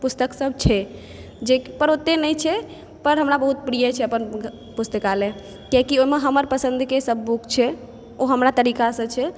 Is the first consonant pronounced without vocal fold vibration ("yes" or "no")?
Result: yes